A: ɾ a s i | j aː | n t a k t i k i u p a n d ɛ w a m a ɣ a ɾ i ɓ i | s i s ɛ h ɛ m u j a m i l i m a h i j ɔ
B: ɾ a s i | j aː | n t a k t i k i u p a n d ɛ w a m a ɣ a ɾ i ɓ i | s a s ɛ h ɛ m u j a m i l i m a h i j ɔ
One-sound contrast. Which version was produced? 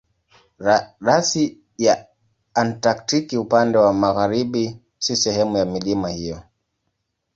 A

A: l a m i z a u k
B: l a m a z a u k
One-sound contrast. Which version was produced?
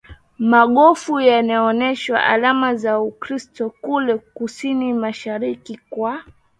B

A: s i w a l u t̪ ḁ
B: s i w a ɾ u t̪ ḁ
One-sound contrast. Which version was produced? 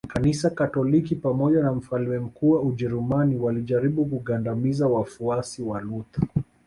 A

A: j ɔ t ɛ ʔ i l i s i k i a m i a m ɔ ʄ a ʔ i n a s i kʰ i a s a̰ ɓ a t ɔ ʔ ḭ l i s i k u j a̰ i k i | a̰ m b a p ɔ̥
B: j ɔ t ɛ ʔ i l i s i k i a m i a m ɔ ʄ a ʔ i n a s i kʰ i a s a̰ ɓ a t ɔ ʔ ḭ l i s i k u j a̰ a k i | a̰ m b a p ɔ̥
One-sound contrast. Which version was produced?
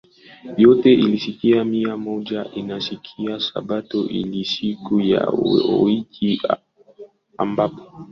A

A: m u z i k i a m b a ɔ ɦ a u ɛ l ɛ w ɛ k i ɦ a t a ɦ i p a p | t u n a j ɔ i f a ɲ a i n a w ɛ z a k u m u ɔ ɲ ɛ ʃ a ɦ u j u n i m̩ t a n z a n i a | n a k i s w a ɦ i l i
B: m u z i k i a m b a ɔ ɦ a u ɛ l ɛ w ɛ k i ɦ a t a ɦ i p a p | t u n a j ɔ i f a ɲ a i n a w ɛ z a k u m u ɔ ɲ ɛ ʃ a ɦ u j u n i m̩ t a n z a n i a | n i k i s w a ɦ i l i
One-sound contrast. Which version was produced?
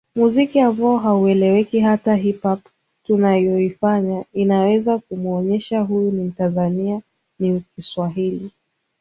B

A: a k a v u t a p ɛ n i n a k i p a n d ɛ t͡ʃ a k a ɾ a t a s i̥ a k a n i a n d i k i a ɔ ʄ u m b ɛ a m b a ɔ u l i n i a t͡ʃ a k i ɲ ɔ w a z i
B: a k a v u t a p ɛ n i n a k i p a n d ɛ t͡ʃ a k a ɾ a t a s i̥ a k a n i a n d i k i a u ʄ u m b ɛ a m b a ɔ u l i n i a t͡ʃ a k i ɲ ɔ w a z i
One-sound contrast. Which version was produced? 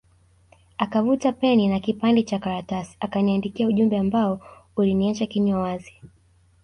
B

